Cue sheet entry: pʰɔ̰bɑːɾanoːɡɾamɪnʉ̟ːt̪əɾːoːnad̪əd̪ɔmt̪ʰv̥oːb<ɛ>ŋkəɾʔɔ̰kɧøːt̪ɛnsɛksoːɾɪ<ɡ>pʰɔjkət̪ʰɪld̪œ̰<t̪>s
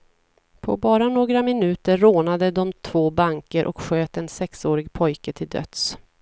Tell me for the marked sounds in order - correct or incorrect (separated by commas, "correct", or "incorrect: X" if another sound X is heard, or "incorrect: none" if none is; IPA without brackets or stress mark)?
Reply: incorrect: a, correct, correct